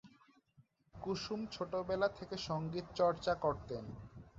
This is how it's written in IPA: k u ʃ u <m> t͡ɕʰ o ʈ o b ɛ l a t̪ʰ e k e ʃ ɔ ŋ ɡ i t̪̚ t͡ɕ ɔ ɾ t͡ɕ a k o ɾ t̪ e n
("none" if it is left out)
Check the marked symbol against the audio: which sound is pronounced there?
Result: m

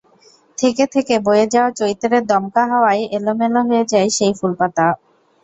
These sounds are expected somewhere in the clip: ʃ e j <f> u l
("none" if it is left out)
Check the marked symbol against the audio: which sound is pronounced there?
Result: f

